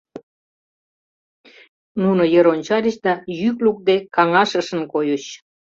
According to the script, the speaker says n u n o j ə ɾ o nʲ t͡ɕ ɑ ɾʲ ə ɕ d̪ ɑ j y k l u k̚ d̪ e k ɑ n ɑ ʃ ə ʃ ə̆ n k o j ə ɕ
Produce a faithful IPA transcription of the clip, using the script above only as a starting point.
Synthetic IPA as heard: n u n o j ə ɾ o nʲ t͡ɕ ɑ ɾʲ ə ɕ d̪ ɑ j y k l u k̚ d̪ e k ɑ ŋ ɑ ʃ ə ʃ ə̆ n k o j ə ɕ